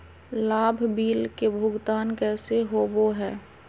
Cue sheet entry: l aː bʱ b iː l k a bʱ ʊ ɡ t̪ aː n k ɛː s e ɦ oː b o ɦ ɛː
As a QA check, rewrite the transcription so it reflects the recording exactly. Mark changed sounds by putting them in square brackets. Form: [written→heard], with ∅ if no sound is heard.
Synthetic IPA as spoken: l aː bʱ b iː l k [a→e] bʱ ʊ ɡ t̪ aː n k ɛː s e ɦ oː b o ɦ ɛː